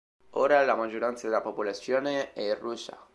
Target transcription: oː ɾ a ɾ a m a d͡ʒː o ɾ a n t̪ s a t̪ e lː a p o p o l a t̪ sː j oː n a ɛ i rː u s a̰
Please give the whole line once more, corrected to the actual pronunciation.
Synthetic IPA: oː ɾ a l a m a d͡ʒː o ɾ a n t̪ s a d̪ e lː a p o p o l a t̪ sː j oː n e ɛ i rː u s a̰